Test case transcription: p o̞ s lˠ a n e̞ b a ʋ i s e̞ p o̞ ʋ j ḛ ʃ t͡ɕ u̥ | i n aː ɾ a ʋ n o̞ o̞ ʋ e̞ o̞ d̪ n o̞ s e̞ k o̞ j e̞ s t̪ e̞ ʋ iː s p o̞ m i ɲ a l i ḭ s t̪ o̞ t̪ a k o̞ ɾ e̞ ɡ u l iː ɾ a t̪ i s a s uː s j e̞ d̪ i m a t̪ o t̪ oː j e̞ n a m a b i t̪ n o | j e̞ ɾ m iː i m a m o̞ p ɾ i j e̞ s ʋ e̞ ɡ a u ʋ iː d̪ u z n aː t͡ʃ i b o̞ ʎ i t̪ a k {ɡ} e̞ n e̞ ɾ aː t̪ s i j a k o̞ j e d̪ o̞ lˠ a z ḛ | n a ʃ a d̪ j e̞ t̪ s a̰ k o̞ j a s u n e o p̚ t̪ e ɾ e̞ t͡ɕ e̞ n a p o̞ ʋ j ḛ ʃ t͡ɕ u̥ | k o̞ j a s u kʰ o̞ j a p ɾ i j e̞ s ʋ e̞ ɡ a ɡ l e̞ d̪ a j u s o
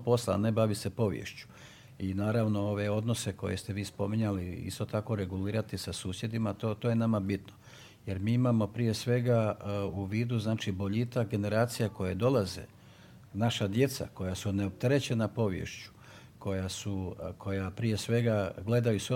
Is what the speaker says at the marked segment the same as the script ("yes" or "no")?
yes